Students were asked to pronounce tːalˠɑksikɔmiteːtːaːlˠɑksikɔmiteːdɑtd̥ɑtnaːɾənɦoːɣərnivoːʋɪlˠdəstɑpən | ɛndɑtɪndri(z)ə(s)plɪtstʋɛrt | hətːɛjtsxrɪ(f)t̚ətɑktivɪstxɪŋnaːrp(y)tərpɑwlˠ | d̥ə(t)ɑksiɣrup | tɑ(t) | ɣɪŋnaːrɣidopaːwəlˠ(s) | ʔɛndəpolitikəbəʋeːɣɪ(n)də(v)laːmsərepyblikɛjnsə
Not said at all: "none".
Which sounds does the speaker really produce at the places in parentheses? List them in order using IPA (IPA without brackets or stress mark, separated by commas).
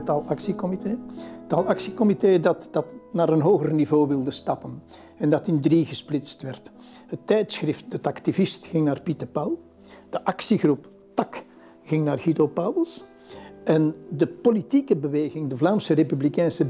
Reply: ɣ, s, f, i, ʔ, k, s, ŋ, v